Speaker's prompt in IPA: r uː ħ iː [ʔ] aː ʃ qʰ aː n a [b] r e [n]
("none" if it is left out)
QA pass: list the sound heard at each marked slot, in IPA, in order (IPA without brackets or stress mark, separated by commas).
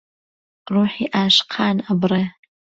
ʔ, b, none